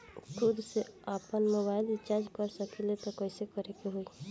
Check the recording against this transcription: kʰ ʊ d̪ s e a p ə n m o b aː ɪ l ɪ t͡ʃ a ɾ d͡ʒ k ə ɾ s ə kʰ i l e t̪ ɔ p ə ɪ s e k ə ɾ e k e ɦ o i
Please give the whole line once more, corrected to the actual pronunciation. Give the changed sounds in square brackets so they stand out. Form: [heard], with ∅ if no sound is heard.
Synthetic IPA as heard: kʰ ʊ d̪ s e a p ə n m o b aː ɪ l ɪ t͡ʃ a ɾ d͡ʒ k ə ɾ s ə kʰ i l e t̪ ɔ [k] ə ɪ s e k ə ɾ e k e ɦ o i